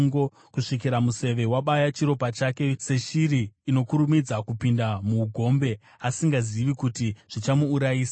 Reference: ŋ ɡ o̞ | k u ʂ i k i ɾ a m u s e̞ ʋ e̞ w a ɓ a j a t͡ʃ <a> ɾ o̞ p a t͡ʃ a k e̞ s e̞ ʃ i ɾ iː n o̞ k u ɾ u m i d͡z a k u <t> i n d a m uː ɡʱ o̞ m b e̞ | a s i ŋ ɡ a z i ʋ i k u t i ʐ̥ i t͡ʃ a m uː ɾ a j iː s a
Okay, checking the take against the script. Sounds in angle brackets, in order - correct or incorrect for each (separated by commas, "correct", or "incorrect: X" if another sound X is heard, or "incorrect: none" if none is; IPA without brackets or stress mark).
incorrect: i, incorrect: p